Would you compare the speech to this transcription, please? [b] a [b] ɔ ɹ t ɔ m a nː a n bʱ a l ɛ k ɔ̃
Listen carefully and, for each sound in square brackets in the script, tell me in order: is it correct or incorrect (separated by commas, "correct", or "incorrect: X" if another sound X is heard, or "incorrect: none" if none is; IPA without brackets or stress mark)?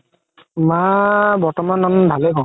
incorrect: m, correct